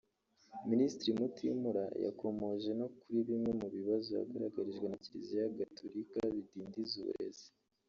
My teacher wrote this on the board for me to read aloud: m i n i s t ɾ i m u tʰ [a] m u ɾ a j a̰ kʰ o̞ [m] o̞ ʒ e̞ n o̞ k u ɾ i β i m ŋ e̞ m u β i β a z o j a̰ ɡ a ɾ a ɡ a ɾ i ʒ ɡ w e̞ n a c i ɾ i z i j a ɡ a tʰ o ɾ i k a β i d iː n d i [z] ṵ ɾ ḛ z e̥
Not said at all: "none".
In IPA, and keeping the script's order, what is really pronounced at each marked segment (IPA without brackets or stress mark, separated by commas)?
i, m, z